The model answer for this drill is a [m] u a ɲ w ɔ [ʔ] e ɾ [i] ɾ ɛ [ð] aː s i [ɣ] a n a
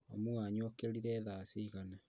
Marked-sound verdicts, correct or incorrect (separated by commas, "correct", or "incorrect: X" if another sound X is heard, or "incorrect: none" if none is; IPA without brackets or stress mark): correct, incorrect: k, correct, correct, correct